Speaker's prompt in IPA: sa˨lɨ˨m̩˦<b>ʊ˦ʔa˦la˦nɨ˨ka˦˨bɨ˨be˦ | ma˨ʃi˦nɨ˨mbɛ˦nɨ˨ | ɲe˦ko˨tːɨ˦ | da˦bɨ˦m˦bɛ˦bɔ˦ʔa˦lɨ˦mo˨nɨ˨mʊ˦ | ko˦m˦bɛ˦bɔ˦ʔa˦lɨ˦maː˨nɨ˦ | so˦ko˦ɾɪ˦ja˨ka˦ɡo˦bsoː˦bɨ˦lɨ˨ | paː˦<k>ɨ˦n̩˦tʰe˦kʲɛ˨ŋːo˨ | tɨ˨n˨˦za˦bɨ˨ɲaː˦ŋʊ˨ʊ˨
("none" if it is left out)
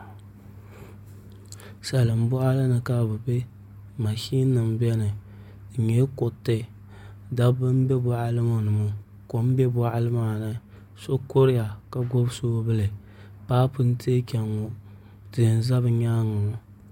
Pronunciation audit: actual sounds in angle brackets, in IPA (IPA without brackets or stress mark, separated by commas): b, p